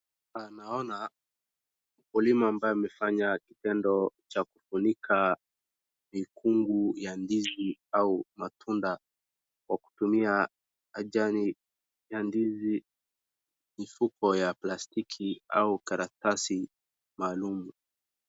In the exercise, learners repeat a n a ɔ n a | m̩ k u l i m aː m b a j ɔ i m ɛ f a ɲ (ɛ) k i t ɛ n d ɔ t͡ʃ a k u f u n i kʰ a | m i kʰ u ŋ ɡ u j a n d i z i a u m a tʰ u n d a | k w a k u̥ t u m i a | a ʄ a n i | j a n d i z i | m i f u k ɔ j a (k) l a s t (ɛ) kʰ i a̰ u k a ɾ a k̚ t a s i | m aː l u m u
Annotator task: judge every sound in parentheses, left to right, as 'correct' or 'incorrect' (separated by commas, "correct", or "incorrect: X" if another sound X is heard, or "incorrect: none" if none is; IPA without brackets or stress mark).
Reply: incorrect: a, incorrect: p, incorrect: i